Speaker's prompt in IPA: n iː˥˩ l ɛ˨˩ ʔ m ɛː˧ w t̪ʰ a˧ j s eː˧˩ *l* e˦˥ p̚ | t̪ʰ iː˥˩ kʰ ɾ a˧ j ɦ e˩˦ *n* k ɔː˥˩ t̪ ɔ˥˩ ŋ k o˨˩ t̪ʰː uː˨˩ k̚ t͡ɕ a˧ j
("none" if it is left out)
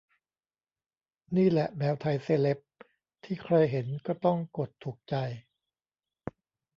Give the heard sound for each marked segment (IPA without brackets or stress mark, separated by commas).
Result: l, n